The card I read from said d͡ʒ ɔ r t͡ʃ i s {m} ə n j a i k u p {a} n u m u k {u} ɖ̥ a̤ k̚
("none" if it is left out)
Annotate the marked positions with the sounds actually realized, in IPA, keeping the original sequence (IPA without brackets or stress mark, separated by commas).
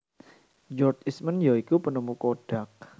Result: m, ə, o